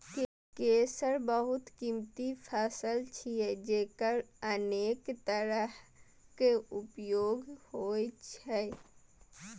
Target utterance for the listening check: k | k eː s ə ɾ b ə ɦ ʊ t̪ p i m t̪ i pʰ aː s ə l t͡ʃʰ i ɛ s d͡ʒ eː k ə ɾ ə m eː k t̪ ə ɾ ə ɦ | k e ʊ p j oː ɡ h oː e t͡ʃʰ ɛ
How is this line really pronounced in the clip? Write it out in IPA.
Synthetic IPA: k | k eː s ə ɾ b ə ɦ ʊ t̪ k i m t̪ i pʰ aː s ə l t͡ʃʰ i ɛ d͡ʒ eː k ə ɾ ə n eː k t̪ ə ɾ ə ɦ | k e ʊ p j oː ɡ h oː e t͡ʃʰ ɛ